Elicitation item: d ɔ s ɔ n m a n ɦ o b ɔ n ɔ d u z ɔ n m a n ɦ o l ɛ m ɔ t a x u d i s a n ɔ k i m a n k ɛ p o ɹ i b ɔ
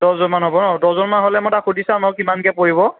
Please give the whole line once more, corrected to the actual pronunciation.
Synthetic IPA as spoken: d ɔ z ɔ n m a n ɦ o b ɔ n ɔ d ɔ z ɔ n m a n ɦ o l ɛ m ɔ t a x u d i s a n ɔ k i m a n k ɛ p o ɹ i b ɔ